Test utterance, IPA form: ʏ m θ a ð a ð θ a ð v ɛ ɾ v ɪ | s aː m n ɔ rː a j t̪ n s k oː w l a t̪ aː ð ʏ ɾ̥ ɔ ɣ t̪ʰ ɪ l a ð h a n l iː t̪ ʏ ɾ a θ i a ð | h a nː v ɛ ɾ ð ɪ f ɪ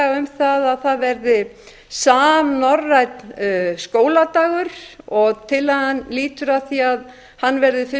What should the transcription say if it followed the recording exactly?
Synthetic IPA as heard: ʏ m θ a ð a ð θ a ð v ɛ ɾ ð ɪ | s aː m n ɔ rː a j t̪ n s k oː w l a t̪ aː ɣ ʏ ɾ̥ ɔ ɣ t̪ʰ ɪ l a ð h a n l iː t̪ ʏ ɾ a θ i a ð | h a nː v ɛ ɾ ð ɪ f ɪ